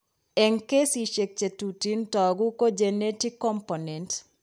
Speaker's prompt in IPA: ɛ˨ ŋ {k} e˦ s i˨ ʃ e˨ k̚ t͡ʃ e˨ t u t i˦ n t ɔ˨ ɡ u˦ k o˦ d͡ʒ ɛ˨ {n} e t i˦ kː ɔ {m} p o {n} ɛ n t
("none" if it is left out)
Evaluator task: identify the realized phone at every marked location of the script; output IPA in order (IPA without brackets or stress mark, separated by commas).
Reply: k, n, m, n